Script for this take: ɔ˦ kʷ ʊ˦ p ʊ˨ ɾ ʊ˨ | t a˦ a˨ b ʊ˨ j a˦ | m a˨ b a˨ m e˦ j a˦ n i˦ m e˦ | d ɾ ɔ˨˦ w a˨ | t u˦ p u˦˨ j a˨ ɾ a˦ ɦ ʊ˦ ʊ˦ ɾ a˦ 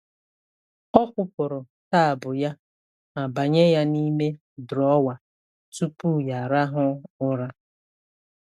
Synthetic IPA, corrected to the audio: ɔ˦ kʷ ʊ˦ p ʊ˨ ɾ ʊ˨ | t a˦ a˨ b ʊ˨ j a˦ | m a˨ b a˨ ɲ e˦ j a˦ n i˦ m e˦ | d ɾ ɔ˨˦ w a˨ | t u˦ p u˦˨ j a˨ ɾ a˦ ɦ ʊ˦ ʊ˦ ɾ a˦